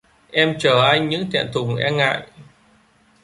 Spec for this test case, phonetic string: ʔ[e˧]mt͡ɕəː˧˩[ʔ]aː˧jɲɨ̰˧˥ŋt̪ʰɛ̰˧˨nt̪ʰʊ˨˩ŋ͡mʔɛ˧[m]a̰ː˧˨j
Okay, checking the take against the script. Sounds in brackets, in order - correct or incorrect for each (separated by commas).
incorrect, correct, incorrect